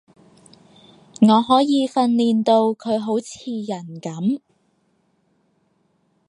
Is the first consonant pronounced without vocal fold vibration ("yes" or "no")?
no